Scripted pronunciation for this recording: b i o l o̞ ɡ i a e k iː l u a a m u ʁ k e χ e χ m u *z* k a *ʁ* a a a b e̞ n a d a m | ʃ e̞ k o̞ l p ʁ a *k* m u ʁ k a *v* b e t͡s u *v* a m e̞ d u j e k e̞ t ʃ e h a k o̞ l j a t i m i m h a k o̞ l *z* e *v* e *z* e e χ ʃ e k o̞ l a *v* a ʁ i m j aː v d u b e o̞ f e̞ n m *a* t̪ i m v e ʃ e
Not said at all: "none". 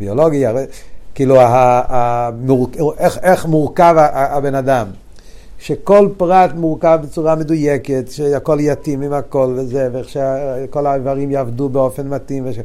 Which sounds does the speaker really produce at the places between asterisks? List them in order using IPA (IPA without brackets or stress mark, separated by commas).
ʁ, v, t, v, ʁ, v, z, v, v, a